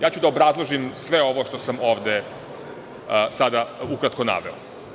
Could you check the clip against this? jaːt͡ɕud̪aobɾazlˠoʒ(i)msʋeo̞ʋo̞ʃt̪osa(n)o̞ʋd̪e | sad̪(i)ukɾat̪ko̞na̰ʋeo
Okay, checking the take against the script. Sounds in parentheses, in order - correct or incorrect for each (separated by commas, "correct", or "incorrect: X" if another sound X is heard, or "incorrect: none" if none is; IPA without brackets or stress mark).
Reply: correct, incorrect: m, incorrect: a